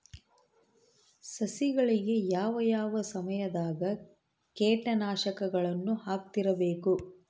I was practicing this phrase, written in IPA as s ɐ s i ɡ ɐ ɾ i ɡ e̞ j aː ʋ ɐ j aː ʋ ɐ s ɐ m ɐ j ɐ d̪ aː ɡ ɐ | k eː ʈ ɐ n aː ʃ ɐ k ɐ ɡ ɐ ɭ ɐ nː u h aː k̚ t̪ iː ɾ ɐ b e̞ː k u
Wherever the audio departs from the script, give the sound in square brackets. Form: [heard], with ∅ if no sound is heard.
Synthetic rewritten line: s ɐ s i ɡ ɐ [ɭ] i ɡ e̞ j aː ʋ ɐ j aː ʋ ɐ s ɐ m ɐ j ɐ d̪ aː ɡ ɐ | k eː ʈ ɐ n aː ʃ ɐ k ɐ ɡ ɐ ɭ ɐ nː u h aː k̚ t̪ [i] ɾ ɐ b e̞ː k u